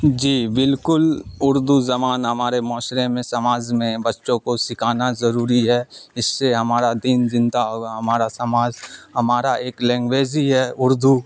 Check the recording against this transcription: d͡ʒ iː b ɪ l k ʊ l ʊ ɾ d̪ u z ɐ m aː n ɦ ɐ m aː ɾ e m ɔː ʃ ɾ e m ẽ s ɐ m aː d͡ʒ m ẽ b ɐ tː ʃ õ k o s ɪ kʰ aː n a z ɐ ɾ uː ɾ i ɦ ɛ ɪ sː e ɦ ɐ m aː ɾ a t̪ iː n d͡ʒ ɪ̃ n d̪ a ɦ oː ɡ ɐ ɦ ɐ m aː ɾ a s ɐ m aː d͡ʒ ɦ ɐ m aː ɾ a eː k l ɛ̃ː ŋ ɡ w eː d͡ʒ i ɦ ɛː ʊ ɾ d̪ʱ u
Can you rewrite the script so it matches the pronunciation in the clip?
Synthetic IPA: d͡ʒ iː b ɪ l k ʊ l ʊ ɾ d̪ u z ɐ m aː n ɦ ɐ m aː ɾ e m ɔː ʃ ɾ e m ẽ s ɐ m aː d͡ʒ m ẽ b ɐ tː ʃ õ k o s ɪ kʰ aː n a z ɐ ɾ uː ɾ i ɦ ɛ ɪ sː e ɦ ɐ m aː ɾ a d̪ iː n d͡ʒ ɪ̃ n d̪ a ɦ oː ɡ a ɦ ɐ m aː ɾ a s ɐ m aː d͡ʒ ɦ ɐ m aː ɾ a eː k l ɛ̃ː ŋ ɡ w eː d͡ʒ i ɦ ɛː ʊ ɾ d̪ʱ u